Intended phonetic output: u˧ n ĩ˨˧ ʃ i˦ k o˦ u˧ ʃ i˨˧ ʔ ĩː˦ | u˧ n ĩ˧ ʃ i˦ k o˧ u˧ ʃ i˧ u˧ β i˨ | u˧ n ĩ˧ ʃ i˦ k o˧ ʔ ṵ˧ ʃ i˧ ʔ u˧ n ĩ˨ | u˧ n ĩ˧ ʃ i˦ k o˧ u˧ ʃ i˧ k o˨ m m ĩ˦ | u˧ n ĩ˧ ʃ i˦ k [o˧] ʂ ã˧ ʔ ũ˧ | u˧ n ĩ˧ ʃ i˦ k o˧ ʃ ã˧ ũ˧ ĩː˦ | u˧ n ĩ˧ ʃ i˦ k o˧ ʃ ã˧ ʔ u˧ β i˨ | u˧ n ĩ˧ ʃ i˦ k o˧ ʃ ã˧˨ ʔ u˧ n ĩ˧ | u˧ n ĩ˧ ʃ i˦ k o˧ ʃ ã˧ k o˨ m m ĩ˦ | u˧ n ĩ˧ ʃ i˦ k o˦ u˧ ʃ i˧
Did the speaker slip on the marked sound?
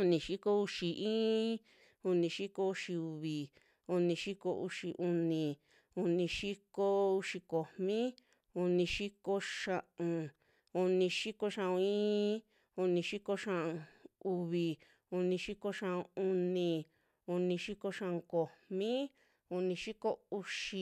no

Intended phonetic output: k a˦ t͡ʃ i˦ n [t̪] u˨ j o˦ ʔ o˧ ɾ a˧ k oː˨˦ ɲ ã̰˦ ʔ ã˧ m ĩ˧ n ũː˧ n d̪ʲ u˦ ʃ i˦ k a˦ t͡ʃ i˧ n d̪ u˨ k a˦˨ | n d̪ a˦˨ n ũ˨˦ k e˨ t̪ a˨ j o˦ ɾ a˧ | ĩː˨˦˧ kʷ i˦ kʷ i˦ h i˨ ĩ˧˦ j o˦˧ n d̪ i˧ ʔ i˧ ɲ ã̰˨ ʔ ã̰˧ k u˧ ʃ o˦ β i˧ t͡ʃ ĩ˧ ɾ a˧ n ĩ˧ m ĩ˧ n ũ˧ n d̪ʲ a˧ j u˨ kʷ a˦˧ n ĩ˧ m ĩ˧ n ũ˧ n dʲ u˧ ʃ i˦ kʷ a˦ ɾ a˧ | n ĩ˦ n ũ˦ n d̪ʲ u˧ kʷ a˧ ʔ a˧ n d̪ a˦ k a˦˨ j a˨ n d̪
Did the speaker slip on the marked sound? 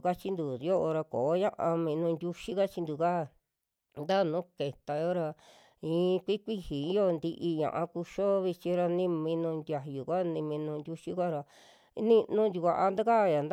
yes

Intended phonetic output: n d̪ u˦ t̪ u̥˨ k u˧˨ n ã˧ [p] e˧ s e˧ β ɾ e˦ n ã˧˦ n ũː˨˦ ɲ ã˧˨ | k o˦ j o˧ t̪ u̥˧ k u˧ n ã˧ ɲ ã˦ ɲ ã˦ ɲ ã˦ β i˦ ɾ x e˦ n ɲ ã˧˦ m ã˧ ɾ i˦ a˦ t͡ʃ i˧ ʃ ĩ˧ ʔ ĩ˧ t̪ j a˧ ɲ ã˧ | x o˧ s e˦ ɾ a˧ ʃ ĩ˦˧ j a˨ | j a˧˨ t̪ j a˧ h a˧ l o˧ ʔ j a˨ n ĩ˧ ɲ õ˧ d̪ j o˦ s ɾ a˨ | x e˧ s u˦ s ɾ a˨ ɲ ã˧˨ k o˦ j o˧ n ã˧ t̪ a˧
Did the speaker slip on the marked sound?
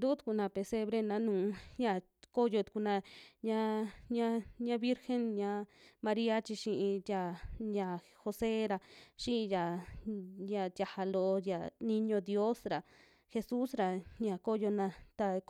no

